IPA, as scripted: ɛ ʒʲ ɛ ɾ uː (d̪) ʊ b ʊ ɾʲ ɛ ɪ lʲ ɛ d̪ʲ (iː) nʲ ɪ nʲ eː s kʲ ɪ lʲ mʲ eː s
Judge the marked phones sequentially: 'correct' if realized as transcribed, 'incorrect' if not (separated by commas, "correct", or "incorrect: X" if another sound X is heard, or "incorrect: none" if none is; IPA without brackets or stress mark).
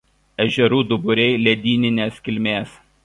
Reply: correct, correct